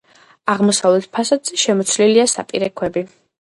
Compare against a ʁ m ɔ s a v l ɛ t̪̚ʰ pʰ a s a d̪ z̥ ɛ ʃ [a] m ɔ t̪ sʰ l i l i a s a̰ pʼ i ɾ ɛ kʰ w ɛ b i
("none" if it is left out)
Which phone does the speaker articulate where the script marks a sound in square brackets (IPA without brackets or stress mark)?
ɛ